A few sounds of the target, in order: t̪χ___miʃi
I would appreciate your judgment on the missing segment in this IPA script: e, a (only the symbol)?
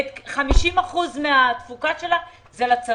a